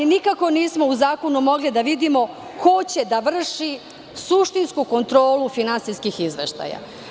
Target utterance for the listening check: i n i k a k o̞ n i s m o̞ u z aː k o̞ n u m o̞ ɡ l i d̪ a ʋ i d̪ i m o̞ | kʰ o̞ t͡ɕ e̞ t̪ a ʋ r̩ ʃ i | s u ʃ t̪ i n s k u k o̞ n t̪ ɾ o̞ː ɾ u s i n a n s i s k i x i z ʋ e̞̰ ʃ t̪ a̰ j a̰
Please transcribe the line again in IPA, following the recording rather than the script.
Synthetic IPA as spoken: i n i k a k o̞ n iː s m o̞ u z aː k o̞ n u m o̞ ɡ l i d̪ a ʋ i d̪ i m o̞ | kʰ o̞ t͡ɕ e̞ d̪ a ʋ r̩ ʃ i | s u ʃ t̪ i n s k u k o̞ n t̪ ɾ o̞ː l u f i n a n s i s k i x i z ʋ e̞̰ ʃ t̪ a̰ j a̰